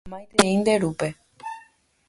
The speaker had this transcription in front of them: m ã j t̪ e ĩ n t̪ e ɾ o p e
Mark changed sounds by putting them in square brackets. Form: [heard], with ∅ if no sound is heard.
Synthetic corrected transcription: m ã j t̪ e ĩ n [d̪] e ɾ [u] p e

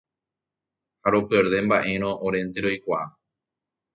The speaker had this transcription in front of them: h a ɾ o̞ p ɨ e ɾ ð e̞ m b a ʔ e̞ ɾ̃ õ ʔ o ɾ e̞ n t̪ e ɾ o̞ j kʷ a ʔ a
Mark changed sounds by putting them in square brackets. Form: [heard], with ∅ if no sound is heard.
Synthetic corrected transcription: h a ɾ o̞ p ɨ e ɾ ð e̞ m b a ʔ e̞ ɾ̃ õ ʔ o ɾ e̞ n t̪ e ɾ o̞ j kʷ a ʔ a

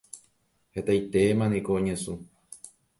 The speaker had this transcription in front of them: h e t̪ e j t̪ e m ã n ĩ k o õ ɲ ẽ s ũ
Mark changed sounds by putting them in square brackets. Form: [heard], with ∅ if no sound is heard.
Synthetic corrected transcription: h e t̪ [a] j t̪ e m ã n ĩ k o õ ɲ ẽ s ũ

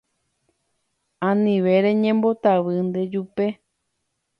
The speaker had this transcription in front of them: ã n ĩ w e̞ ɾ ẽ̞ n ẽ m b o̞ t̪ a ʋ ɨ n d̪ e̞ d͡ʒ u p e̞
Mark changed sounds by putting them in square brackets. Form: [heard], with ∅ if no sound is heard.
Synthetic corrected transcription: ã n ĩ [ʋ] e̞ ɾ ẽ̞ [ɲ] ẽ m b o̞ t̪ a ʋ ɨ n d̪ e̞ d͡ʒ u p e̞

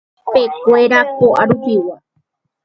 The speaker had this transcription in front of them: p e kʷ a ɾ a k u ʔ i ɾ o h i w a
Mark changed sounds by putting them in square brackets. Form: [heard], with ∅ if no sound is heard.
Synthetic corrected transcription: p e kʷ [e] ɾ a k [o] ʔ [a] ɾ [u] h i w a

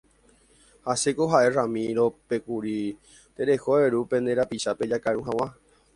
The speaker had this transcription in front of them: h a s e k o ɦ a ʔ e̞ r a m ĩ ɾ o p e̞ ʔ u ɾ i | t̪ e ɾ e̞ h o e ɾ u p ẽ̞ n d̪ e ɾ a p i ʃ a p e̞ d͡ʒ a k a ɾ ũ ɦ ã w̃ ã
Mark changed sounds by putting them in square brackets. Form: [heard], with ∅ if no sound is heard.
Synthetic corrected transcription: h a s e k o ɦ a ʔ e̞ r a m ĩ ɾ o p e̞ [k] u ɾ i | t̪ e ɾ e̞ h o e ɾ u p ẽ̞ n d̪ e ɾ a p i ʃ a p e̞ d͡ʒ a k a ɾ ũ ɦ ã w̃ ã

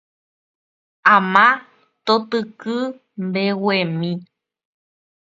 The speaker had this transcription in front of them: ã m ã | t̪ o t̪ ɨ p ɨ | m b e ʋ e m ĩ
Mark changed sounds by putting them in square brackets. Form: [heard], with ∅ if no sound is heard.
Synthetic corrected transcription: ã m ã | t̪ o t̪ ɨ [k] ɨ | m b e [w] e m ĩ

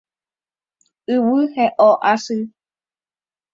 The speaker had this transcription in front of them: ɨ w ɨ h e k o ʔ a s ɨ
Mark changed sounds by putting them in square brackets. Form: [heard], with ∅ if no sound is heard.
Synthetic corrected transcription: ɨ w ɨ h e [ʔ] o ʔ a s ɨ

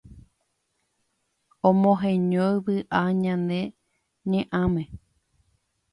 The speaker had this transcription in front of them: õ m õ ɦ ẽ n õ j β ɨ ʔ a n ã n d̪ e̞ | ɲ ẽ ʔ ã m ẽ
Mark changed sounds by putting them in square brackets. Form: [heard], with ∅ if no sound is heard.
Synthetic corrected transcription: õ m õ ɦ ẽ [ɲ] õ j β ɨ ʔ a [ɲ] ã n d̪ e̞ | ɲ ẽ ʔ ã m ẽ

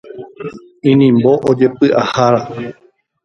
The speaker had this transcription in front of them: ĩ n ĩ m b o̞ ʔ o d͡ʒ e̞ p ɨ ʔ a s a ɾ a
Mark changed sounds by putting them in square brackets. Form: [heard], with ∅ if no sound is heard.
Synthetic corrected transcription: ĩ n ĩ m b o̞ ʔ o d͡ʒ e̞ p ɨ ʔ a [h] a ɾ a

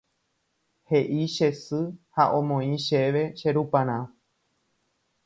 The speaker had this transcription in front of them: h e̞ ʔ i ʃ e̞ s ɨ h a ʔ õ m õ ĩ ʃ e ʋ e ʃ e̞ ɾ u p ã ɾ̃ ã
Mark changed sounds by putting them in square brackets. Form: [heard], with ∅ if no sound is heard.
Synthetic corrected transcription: h e̞ ʔ i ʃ e̞ s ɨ h a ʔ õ m õ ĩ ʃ e ʋ e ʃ e̞ ɾ u p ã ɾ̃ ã

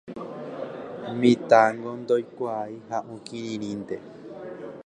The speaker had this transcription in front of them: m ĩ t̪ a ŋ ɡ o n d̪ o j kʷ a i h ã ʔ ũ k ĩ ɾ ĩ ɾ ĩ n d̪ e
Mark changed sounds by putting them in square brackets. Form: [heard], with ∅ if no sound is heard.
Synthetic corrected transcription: m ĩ t̪ a ŋ ɡ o n d̪ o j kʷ a i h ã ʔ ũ k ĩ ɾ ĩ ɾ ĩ n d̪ e

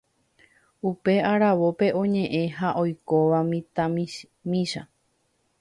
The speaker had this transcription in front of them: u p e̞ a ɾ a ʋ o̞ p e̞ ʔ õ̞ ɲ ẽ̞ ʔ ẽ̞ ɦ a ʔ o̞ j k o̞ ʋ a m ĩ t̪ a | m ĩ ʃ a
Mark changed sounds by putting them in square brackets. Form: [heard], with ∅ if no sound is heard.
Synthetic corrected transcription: u p e̞ a ɾ a ʋ o̞ p e̞ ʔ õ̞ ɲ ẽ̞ ʔ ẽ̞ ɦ a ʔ o̞ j k o̞ ʋ a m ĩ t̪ a | m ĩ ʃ a

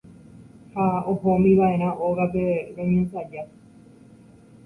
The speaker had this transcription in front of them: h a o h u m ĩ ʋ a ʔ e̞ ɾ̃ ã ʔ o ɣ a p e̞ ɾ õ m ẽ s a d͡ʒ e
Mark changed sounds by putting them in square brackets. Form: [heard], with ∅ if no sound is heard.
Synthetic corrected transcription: h a o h [o] m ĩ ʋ a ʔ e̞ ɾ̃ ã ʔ o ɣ a p e̞ ɾ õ [ɲ] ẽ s a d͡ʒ [a]

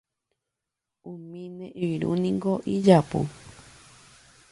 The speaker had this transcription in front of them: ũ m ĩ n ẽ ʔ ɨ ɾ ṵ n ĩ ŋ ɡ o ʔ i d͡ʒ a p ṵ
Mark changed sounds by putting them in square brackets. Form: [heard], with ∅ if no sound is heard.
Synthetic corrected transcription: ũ m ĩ n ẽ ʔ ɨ ɾ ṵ n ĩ ŋ ɡ o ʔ i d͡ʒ a p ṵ

